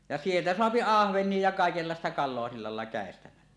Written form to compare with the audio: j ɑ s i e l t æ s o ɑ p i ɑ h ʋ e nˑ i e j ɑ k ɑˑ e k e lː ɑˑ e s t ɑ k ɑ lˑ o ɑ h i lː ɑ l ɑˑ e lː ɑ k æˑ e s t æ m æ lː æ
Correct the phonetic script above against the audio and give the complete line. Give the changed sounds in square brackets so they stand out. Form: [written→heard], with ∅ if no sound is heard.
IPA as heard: j ɑ s i e l t æ s o ɑ p i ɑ h ʋ e nˑ i e j ɑ k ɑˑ e k e lː ɑˑ e s t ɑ k ɑ lˑ o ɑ [h→s] i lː ɑ l ɑˑ e lː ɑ k æˑ e s t æ m æ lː æ